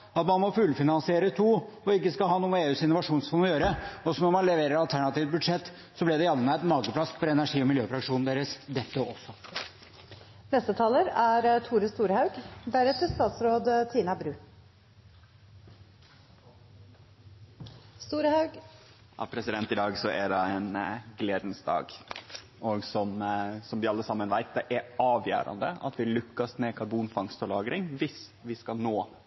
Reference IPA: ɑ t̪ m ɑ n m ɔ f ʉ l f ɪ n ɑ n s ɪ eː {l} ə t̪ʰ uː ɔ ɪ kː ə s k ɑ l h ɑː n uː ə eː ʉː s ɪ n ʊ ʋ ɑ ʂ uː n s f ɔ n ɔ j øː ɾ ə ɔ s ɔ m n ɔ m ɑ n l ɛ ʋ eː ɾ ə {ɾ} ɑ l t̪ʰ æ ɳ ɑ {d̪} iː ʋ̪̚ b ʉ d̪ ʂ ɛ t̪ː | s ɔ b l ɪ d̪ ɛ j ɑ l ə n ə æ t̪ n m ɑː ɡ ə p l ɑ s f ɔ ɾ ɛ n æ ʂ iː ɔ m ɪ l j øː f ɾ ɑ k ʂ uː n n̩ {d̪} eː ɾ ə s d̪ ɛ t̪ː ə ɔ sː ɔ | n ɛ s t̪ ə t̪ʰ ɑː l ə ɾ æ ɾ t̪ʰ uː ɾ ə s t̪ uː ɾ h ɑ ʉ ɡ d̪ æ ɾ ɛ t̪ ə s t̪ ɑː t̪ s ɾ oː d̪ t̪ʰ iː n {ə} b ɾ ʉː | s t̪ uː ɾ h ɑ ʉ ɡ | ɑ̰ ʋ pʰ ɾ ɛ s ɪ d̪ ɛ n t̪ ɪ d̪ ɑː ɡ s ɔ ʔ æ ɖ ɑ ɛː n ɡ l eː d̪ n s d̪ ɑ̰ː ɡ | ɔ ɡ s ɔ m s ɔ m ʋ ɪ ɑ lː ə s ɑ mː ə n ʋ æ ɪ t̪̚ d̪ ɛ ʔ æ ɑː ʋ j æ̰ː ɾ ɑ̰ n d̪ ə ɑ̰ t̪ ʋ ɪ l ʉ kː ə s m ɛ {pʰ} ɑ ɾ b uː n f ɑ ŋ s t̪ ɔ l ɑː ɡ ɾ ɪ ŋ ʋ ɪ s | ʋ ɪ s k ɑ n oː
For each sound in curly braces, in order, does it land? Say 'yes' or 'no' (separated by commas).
no, yes, no, yes, no, no